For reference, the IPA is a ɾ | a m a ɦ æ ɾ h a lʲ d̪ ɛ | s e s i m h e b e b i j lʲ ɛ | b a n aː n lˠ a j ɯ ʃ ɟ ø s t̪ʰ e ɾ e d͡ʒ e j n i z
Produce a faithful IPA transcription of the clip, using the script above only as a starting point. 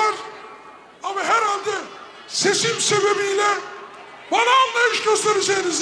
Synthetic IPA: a ɾ | a m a ɦ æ ɾ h a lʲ d̪ ɛ | s e s i m s e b e b i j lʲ ɛ | b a n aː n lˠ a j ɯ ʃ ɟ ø s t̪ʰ e ɾ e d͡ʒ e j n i z